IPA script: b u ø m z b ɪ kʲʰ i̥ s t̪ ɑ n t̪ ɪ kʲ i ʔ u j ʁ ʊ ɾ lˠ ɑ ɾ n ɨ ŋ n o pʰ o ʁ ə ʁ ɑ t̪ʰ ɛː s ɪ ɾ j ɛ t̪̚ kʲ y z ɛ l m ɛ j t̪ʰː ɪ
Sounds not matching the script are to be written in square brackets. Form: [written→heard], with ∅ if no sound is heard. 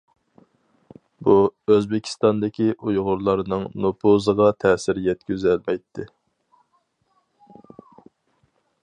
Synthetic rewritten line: b u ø [m→∅] z b ɪ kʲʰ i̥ s t̪ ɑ n [t̪→d̪] ɪ kʲ i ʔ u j ʁ ʊ ɾ lˠ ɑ ɾ n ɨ ŋ n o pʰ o [ʁ→z] ə ʁ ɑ t̪ʰ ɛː s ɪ ɾ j ɛ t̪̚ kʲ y z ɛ l m ɛ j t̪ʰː ɪ